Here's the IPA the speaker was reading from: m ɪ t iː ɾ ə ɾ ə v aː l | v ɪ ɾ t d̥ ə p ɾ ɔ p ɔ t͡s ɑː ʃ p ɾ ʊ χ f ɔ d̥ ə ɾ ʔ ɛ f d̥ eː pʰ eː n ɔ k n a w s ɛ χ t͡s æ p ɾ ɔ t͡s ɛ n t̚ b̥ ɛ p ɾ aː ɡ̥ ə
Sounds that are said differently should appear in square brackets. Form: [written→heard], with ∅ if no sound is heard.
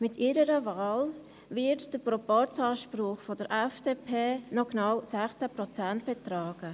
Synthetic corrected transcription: m ɪ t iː ɾ ə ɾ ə v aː l | v ɪ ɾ t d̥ ə p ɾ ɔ p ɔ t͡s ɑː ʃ p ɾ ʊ χ f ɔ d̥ ə ɾ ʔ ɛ f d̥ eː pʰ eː n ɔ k n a w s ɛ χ t͡s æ p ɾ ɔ t͡s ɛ n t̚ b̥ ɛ [p→t] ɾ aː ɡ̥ ə